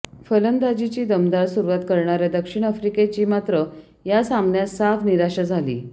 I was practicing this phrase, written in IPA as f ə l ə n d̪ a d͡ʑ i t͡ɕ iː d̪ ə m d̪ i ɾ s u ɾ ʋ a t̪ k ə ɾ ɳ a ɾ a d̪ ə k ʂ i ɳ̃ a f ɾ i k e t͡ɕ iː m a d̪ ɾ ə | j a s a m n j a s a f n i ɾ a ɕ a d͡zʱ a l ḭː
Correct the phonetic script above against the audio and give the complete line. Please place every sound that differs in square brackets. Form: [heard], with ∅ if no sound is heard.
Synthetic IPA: f ə l ə n d̪ a d͡ʑ i t͡ɕ iː d̪ ə m d̪ [a] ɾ s u ɾ ʋ a t̪ k ə ɾ ɳ a ɾ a d̪ ə k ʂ i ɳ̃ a f ɾ i k e t͡ɕ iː m a [t̪] ɾ ə | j a s a m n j a s a f n i ɾ a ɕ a d͡zʱ a l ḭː